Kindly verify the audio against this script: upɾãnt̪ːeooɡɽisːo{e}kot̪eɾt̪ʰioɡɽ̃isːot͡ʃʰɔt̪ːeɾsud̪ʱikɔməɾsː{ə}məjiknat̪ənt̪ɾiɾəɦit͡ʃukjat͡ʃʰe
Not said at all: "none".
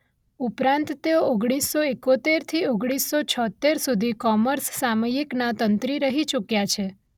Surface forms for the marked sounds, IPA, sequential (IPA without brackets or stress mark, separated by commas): e, a